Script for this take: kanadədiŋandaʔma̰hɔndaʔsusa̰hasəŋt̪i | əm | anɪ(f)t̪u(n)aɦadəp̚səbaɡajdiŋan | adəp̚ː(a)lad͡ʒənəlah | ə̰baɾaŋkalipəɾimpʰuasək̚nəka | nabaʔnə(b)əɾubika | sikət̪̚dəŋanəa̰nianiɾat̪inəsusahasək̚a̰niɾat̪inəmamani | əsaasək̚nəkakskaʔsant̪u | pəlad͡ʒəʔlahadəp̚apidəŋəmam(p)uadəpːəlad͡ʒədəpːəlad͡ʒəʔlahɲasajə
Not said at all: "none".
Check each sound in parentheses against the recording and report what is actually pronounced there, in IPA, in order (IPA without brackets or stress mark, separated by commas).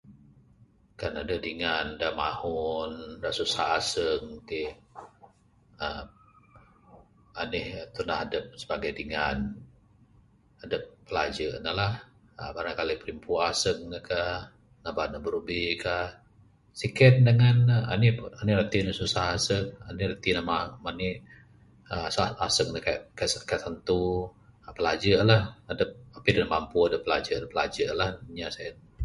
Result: h, n, ə, b, p